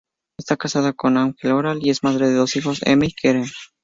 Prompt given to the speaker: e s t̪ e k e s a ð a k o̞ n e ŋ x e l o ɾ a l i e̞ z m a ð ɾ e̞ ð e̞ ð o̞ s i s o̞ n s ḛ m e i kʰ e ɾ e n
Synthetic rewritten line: e s t̪ a k a s a ð a k o̞ n a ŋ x e l o ɾ a l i e̞ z m a ð ɾ e̞ ð e̞ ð o̞ s i x o̞ s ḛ m e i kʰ e ɾ e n